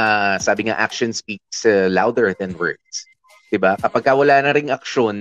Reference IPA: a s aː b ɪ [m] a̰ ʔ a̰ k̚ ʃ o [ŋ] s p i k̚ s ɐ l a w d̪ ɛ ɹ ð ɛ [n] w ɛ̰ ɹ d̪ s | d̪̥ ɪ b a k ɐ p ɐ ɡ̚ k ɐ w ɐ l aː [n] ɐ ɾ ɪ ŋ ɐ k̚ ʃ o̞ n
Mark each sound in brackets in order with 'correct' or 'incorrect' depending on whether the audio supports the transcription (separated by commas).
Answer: incorrect, incorrect, correct, correct